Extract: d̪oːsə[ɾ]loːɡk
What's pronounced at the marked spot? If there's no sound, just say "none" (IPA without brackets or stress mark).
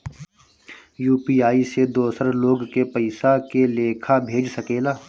ɾ